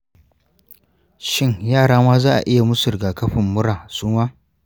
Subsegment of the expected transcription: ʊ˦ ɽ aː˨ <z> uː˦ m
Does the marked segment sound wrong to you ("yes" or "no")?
yes